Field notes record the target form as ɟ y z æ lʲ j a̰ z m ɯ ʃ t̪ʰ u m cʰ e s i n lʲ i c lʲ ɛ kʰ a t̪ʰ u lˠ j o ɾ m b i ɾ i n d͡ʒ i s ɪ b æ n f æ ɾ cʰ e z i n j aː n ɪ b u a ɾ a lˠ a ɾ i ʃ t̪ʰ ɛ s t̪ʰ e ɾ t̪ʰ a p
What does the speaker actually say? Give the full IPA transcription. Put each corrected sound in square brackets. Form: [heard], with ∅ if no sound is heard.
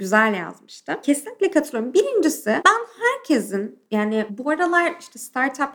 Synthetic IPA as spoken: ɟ y z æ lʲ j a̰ z m ɯ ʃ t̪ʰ [ɯ] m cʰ e s i n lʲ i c lʲ ɛ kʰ a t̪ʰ [ɯ] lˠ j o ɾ m b i ɾ i n d͡ʒ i s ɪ b æ n [h] æ ɾ cʰ e z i n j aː n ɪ b u a ɾ a lˠ a ɾ i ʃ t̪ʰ ɛ s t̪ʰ [a] ɾ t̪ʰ a p